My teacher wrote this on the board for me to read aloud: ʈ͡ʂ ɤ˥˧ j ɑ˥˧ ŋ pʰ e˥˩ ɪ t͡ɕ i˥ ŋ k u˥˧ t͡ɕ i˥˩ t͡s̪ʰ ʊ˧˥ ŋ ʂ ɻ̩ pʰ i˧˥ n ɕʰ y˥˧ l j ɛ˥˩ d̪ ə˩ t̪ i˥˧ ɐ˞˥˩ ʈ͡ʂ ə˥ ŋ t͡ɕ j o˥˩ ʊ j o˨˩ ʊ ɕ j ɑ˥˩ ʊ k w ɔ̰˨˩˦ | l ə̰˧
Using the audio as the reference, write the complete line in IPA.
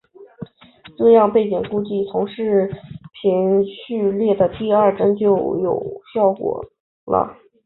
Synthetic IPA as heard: ʈ͡ʂ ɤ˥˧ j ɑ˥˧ ŋ p e˥˩ ɪ t͡ɕ i˨˩ ŋ k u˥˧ t͡ɕ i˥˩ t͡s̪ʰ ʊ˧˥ ŋ ʂ ɻ̩ pʰ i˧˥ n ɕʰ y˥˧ l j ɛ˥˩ d̪ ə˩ t̪ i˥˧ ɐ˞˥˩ ʈ͡ʂ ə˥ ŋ t͡ɕ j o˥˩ ʊ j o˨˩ ʊ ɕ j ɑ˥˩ ʊ k w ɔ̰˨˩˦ | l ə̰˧